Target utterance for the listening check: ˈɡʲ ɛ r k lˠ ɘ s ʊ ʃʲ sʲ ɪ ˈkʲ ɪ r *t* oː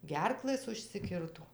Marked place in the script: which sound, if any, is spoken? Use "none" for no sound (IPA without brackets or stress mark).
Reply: t